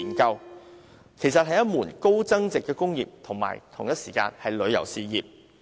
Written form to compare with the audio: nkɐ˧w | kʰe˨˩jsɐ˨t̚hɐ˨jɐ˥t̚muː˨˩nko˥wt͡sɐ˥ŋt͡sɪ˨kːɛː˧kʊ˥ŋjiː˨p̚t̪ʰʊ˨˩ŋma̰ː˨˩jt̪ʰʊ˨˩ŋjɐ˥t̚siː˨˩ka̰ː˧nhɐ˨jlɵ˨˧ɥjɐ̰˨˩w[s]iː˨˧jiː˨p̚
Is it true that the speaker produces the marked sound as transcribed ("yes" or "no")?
yes